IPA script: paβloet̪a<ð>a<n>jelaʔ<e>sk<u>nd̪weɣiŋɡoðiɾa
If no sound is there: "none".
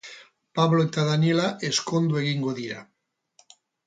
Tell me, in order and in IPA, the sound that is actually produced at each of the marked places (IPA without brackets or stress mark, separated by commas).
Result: ð, n, e, o